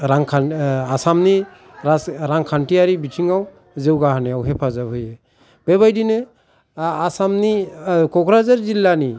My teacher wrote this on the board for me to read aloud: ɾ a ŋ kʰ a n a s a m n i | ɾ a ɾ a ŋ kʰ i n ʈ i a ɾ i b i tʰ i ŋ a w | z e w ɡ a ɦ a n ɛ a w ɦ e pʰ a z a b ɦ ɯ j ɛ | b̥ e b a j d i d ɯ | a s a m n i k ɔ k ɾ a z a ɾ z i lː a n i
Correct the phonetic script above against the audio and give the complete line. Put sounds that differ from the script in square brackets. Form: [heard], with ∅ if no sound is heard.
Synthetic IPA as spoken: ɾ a ŋ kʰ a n a s a m n i | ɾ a ɾ a ŋ kʰ [a] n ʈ i a ɾ i b i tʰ i ŋ a w | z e w ɡ a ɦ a n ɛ a w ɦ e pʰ a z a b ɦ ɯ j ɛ | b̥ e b a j d i [n] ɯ | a s a m n i k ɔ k ɾ a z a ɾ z i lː a n i